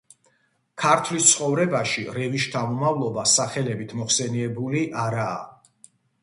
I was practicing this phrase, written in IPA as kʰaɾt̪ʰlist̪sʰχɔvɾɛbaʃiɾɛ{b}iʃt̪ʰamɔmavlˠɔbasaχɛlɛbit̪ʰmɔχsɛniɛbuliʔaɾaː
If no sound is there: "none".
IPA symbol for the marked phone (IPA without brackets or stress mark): v